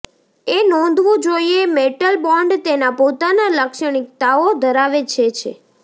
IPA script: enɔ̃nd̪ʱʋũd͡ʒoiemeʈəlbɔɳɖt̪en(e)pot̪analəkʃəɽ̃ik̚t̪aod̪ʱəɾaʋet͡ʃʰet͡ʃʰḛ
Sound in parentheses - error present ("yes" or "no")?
yes